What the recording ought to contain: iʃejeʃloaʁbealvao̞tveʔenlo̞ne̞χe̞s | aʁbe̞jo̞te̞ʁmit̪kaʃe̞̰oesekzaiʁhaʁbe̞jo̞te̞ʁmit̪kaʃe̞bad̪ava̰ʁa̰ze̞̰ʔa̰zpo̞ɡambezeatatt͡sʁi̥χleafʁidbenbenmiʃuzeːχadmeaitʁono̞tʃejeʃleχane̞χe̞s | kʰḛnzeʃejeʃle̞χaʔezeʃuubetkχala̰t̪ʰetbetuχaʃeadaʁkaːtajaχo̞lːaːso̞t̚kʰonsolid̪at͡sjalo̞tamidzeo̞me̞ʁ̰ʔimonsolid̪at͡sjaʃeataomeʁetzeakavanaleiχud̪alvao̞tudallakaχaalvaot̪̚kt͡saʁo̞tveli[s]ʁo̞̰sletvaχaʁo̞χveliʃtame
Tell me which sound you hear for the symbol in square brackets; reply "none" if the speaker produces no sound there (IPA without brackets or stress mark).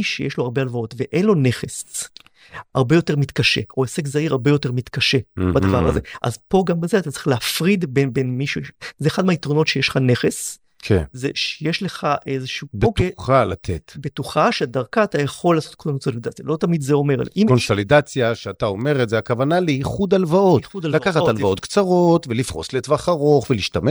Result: f